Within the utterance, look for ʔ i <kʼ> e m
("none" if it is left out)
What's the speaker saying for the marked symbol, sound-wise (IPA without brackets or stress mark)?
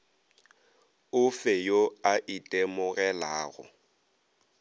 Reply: tʼ